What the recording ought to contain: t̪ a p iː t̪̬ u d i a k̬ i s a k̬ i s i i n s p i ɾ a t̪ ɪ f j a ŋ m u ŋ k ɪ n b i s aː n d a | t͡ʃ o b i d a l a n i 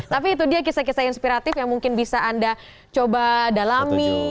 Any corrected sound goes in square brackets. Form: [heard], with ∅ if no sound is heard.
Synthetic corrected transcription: t̪ a p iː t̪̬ u d i a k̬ i s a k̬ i s [a] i n s p i ɾ a t̪ ɪ f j a ŋ m u ŋ k ɪ n b i s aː n d a | t͡ʃ o b [a] d a l a [m] i